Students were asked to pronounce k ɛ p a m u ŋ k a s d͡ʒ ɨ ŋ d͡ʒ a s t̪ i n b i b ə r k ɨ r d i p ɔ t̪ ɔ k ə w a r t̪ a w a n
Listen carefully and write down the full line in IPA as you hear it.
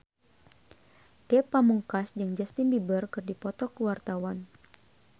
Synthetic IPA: k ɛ p a m u ŋ k a s d͡ʒ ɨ ŋ d͡ʒ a s t̪ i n b i b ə r k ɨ r d i p ɔ t̪ ɔ k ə w a r t̪ a w a n